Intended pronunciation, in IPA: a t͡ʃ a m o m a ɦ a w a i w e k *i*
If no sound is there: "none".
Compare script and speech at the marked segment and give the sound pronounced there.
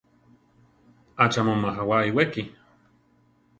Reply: i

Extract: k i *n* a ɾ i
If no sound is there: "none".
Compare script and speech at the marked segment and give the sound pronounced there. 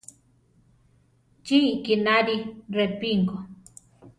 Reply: n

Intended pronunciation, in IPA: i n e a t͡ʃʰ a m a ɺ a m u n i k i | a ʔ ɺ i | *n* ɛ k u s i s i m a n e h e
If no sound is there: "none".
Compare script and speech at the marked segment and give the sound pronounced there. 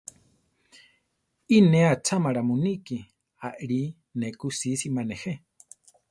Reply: n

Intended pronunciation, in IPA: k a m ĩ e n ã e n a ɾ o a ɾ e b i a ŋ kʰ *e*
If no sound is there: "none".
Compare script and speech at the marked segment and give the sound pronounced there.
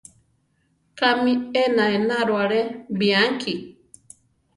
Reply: i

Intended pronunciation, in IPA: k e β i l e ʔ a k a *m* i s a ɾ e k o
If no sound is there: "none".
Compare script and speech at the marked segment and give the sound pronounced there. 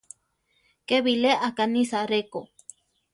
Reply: n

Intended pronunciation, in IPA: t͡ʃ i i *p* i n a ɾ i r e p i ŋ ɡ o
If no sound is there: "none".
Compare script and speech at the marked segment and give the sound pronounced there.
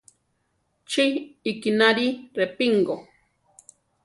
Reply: k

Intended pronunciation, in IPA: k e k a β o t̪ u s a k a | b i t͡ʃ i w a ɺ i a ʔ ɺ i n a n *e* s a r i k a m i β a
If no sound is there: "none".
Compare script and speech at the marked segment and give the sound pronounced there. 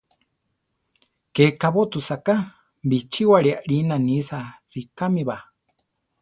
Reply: i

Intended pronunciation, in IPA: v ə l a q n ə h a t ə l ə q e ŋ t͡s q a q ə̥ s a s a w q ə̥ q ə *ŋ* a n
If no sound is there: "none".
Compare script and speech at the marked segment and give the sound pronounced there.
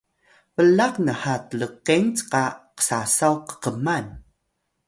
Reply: m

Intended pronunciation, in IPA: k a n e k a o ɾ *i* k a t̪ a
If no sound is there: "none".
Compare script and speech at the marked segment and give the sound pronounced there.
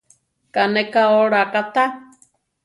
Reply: a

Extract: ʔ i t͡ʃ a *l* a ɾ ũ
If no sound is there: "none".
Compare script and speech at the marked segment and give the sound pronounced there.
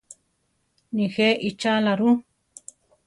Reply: l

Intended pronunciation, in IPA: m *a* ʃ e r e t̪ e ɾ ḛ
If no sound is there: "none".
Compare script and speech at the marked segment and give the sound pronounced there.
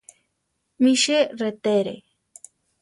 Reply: i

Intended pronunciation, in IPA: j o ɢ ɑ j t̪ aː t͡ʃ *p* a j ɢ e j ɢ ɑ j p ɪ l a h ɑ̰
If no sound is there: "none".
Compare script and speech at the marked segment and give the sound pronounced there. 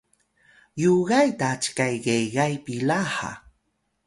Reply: k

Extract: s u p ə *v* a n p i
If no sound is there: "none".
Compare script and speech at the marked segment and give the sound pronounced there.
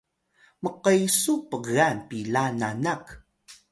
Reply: ɣ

